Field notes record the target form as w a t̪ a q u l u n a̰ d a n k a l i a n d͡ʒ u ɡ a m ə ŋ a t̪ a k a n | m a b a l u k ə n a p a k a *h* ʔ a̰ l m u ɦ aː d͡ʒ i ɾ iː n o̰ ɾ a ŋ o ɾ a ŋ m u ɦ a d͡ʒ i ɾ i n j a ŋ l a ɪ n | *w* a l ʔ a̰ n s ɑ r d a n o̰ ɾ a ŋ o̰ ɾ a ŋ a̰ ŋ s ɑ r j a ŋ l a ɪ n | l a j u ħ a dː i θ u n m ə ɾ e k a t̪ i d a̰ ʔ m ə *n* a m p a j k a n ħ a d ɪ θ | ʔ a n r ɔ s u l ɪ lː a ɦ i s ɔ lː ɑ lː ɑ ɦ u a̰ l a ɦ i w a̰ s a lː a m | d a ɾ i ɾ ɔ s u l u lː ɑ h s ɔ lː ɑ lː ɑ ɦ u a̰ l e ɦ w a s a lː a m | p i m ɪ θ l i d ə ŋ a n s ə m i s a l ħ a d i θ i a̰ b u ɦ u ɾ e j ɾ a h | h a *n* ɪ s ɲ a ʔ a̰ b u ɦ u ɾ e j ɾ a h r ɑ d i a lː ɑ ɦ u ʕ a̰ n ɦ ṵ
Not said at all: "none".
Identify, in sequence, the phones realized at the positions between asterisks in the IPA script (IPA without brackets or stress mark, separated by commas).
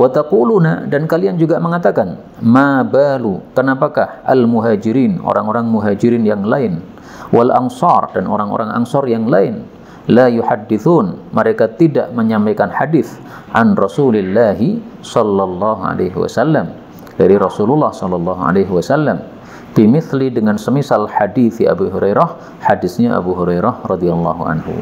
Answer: h, w, ɲ, d